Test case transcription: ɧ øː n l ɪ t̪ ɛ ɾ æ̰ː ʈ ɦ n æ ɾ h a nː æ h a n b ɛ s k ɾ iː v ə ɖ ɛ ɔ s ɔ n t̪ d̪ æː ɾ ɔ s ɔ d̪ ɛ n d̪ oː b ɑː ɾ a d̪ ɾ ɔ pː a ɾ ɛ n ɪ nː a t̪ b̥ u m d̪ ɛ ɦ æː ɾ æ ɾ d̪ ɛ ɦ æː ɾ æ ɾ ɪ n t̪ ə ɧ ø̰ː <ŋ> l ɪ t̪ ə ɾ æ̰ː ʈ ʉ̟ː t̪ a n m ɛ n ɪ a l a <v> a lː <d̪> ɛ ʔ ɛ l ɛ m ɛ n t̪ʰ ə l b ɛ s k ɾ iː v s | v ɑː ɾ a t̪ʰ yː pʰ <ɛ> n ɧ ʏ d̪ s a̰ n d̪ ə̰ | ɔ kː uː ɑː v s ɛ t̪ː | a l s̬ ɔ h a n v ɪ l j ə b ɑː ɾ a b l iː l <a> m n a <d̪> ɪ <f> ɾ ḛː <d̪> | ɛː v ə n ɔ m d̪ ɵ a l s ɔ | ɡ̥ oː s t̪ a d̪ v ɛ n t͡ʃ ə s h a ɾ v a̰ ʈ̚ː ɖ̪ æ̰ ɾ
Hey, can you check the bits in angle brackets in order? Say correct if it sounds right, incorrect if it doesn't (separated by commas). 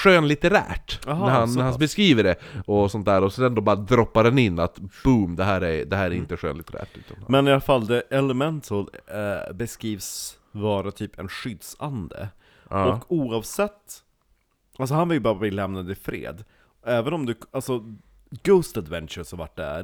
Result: incorrect, incorrect, correct, correct, incorrect, correct, correct, correct